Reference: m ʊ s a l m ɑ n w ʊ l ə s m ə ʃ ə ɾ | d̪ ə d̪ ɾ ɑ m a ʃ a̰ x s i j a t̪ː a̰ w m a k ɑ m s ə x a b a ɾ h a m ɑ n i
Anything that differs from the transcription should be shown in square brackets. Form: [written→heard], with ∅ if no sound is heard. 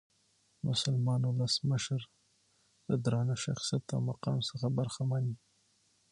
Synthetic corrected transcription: m ʊ s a l m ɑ n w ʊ l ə s m ə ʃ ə ɾ | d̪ ə d̪ ɾ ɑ [m→n] a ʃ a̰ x s i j a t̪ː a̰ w m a [k→q] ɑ m s ə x a b a ɾ [h→x] a m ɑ n i